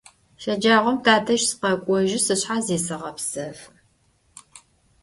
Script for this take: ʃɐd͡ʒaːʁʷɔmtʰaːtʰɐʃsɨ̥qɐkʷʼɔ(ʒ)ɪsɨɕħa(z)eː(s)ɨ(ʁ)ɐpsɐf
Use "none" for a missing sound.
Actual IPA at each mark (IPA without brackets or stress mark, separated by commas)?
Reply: ʒ, z, s, ʁ